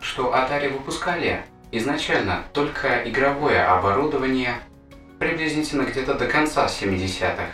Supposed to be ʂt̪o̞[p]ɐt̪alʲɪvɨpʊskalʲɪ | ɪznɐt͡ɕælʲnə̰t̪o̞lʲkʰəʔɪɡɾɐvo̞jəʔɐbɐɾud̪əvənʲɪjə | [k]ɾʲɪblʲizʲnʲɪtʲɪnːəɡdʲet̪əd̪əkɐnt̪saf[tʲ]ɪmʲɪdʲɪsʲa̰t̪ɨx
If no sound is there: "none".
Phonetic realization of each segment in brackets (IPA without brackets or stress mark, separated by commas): ʔ, p, sʲ